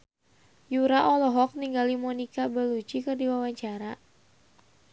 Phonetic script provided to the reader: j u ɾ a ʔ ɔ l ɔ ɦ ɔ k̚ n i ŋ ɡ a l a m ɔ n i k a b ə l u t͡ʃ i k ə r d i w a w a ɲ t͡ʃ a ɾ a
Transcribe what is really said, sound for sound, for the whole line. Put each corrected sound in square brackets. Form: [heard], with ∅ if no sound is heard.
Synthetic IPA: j u ɾ a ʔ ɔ l ɔ ɦ ɔ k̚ n i ŋ ɡ a l [i] m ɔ n i k a b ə l u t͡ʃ i k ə r d i w a w a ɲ t͡ʃ a ɾ a